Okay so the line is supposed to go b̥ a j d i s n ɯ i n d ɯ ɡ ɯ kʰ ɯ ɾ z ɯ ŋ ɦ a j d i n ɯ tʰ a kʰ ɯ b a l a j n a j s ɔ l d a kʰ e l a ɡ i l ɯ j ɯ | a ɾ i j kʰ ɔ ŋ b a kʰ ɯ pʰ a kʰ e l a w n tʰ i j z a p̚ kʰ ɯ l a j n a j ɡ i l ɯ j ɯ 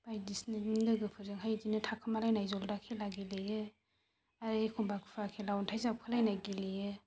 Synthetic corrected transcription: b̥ a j d i s n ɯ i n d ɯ ɡ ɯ pʰ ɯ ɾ z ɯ ŋ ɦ a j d i n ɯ tʰ a kʰ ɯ m a l a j n a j z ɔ l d a kʰ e l a ɡ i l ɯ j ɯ | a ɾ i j kʰ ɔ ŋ b a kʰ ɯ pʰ a kʰ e l a w n tʰ a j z a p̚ kʰ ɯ l a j n a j ɡ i l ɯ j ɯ